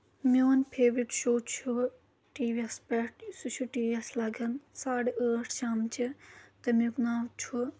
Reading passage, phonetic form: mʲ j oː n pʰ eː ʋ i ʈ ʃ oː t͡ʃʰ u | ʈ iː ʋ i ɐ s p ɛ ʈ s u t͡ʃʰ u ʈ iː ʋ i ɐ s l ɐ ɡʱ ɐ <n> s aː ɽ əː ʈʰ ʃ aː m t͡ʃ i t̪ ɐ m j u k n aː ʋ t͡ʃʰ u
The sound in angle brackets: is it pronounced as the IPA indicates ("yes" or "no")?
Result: yes